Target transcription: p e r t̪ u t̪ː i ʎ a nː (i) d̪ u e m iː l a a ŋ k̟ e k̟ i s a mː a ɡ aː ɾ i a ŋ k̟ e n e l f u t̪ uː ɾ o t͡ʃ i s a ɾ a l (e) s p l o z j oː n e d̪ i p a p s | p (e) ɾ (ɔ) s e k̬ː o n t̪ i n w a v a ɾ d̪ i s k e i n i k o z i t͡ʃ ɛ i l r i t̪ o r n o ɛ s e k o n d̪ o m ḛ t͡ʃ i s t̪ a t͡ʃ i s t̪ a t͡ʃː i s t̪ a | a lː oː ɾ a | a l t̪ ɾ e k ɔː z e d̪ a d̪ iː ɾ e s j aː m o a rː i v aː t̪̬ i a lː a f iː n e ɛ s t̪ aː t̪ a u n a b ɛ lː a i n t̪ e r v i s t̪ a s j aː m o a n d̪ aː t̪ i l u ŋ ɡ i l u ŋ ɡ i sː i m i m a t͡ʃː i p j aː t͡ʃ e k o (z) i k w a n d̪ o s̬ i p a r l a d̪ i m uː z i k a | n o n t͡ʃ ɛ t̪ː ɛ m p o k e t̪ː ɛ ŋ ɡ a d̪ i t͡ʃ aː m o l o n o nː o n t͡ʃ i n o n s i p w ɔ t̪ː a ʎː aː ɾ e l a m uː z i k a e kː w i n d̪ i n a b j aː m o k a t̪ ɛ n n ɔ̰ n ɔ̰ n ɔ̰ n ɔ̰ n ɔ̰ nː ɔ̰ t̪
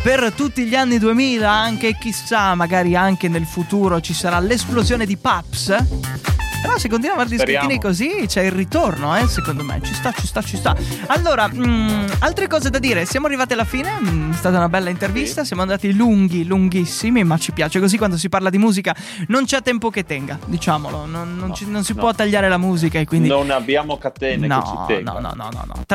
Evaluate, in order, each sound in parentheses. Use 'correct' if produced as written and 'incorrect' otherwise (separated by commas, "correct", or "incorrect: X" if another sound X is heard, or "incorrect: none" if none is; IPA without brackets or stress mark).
correct, correct, correct, correct, correct